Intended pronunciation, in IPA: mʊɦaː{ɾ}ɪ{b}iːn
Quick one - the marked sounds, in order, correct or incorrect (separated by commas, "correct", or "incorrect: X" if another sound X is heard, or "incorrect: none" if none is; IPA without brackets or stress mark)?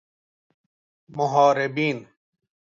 correct, correct